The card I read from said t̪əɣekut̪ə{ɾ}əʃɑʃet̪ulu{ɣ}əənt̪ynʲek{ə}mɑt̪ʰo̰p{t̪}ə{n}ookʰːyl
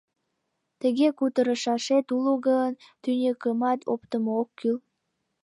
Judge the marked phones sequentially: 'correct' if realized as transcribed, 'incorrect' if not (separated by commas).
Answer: correct, correct, correct, correct, incorrect